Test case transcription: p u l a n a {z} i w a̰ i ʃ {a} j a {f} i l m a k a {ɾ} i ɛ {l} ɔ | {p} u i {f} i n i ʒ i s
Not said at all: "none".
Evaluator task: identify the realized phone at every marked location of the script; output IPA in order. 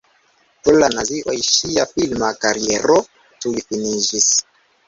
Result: z, i, f, ɾ, ɾ, t, f

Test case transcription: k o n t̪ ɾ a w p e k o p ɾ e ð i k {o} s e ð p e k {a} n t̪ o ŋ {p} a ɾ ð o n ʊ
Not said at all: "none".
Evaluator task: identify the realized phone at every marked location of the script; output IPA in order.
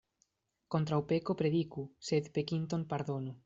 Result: u, i, p

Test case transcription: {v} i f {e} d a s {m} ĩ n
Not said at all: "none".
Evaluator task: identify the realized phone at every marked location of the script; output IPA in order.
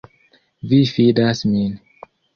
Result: v, i, m

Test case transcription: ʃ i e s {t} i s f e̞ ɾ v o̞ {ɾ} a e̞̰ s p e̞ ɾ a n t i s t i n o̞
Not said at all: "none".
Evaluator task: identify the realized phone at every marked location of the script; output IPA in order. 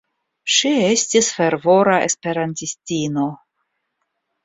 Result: t, ɾ

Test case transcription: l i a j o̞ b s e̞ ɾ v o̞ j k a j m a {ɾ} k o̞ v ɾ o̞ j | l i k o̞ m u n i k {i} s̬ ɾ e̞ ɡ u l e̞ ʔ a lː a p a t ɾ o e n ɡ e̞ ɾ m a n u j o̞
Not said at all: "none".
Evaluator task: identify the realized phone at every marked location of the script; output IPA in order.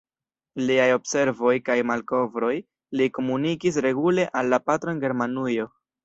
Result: l, i

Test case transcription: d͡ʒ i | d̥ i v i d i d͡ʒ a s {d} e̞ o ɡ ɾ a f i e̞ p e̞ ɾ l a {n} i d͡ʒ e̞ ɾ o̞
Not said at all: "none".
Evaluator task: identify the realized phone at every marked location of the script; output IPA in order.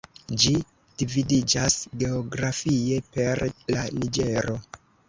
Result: ɡ, n

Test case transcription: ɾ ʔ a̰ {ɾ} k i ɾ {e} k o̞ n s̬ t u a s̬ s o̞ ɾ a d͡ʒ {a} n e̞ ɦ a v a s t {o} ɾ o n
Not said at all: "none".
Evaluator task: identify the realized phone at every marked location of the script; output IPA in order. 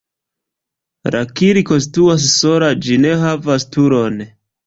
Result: none, i, i, u

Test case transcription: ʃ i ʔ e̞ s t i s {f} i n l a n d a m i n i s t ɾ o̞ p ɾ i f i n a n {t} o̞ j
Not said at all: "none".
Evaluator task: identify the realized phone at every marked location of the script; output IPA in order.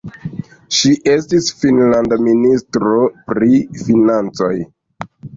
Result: f, t͡s

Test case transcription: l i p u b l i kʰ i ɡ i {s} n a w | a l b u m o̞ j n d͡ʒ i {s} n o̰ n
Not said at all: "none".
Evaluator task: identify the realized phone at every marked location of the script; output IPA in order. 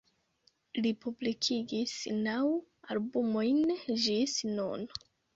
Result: s, s

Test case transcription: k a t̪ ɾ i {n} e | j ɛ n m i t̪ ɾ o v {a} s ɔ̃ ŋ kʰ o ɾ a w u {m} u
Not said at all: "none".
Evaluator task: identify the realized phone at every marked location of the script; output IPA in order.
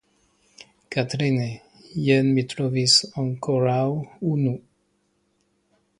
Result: n, i, n

